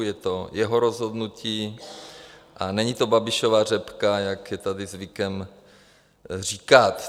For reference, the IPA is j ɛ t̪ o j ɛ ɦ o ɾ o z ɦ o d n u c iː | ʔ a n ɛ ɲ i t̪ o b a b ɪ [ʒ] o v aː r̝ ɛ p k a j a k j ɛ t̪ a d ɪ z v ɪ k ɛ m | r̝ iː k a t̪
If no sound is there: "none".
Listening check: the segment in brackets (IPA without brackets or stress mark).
ʃ